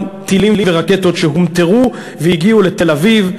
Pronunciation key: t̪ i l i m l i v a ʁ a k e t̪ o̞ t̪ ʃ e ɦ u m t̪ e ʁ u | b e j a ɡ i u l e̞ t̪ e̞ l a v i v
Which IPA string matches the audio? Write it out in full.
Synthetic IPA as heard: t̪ i l i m l i v e ʁ a k e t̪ o̞ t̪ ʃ e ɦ u m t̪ e ʁ u | v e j i ɡ i u l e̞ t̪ e̞ l a v i v